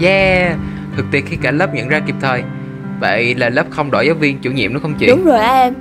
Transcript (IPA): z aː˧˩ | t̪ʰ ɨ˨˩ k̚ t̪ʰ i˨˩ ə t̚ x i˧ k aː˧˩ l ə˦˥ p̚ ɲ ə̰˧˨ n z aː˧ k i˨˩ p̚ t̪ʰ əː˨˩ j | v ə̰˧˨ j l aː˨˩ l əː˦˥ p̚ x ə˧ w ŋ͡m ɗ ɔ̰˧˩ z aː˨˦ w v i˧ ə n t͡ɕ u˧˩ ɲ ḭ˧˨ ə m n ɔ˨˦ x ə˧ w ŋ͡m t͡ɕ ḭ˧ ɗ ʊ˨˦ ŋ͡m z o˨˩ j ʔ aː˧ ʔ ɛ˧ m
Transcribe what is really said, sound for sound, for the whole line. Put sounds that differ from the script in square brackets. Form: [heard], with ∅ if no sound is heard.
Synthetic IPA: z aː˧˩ | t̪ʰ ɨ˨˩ k̚ [t̪] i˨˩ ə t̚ x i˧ k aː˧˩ l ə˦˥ p̚ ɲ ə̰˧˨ n z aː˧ k i˨˩ p̚ t̪ʰ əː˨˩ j | v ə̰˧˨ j l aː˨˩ l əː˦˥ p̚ x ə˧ w ŋ͡m ɗ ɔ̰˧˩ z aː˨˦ w v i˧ ə n t͡ɕ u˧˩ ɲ ḭ˧˨ ə m n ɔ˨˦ x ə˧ w ŋ͡m t͡ɕ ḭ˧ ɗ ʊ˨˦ ŋ͡m z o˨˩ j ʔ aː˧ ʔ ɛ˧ m